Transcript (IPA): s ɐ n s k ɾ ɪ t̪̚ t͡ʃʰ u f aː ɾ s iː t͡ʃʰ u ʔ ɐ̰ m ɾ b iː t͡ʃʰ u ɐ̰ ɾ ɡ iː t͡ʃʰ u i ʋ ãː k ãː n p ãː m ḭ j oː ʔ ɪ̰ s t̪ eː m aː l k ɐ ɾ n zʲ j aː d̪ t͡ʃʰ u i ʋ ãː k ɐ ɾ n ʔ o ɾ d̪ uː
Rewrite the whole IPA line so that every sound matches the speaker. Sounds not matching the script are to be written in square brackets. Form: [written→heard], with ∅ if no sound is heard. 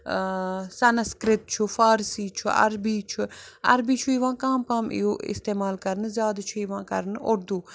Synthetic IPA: s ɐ n s k ɾ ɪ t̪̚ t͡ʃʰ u f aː ɾ s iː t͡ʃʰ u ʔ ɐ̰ [m→∅] ɾ b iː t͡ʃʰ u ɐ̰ ɾ [ɡ→b] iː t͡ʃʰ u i ʋ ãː k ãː [n→m] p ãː m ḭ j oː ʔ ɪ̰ s t̪ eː m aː l k ɐ ɾ n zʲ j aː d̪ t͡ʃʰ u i ʋ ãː k ɐ ɾ n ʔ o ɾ d̪ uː

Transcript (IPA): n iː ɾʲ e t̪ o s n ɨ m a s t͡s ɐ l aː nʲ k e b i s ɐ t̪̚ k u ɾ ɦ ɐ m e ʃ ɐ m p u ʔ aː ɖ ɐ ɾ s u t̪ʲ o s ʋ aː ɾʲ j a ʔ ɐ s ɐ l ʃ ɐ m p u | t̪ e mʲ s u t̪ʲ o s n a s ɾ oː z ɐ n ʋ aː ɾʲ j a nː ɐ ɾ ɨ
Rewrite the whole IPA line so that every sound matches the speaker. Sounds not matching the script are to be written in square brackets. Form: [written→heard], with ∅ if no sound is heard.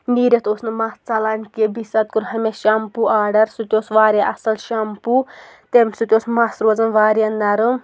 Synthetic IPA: n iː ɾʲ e t̪ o s n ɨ m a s t͡s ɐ l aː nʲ k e b i s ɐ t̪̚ k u ɾ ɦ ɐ m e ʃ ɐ m p u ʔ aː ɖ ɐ ɾ s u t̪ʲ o s ʋ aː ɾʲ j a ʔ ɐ s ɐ l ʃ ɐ m p u | t̪ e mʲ s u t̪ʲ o s [n→m] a s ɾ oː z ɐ n ʋ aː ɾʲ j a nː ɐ ɾ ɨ

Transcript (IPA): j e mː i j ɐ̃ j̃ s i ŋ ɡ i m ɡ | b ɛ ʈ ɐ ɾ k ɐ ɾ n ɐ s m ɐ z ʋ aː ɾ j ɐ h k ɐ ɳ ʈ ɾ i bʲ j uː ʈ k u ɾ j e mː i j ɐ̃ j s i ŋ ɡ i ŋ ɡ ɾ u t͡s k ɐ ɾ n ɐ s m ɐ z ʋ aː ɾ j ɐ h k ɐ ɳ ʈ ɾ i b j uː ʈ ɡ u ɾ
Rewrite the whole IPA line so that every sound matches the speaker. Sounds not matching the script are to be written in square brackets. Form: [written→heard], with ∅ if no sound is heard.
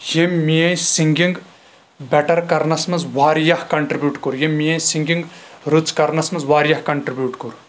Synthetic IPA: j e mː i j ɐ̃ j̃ s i ŋ ɡ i [m→ŋ] ɡ | b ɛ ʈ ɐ ɾ k ɐ ɾ n ɐ s m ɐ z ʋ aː ɾ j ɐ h k ɐ ɳ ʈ ɾ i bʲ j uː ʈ k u ɾ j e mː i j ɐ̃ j s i ŋ ɡ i ŋ ɡ ɾ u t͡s k ɐ ɾ n ɐ s m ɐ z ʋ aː ɾ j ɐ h k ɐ ɳ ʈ ɾ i b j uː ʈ [ɡ→k] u ɾ

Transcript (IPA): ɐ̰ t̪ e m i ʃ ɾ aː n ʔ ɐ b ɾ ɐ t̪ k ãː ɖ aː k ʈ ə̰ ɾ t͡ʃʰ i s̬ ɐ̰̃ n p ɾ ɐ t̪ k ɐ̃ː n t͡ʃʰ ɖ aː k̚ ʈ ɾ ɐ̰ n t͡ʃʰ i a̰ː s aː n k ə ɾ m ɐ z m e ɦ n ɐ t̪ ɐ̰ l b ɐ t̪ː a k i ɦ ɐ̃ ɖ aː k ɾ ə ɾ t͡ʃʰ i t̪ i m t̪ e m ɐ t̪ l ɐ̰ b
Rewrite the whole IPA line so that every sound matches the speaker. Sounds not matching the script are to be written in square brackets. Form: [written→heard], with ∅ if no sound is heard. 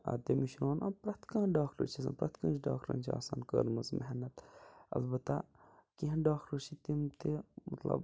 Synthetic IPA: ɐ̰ t̪ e m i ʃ ɾ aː n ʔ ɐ [b→p] ɾ ɐ t̪ k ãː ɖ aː k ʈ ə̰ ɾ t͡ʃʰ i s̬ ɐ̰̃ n p ɾ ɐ t̪ k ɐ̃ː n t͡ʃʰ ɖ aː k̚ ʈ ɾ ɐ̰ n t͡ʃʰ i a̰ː s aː n k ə ɾ m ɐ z m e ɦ n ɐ t̪ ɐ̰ l b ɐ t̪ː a k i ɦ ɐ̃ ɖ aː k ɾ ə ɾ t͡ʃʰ i t̪ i m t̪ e m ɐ t̪ l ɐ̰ b

